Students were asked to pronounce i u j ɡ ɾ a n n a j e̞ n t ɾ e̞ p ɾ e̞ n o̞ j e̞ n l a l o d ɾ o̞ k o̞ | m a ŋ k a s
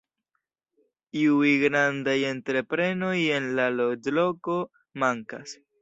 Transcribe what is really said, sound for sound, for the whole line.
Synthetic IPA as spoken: i u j ɡ ɾ a n d a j e̞ n t ɾ e̞ p ɾ e̞ n o̞ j e̞ n l a l o d l o̞ k o̞ | m a ŋ k a s